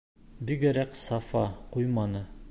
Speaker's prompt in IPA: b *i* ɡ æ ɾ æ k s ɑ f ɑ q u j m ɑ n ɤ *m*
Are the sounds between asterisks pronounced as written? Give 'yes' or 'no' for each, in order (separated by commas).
yes, no